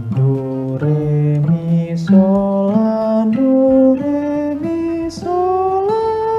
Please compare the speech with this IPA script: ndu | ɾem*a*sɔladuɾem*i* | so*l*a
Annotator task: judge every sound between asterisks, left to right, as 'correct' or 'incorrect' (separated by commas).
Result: incorrect, correct, correct